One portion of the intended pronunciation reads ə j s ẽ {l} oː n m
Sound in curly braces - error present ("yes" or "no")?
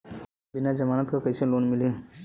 no